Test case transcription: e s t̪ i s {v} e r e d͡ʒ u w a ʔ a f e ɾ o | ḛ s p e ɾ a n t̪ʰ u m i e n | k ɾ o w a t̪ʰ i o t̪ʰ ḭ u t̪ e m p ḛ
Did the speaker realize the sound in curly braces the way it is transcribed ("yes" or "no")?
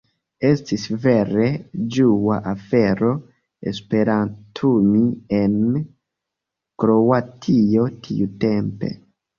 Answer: yes